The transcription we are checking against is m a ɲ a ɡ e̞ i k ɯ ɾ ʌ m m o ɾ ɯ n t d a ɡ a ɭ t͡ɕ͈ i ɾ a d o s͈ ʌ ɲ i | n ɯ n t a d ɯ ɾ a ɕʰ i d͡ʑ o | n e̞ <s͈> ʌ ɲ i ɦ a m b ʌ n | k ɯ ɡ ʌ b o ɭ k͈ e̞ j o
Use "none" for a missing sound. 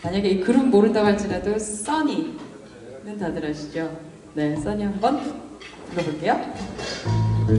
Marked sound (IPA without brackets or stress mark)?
s͈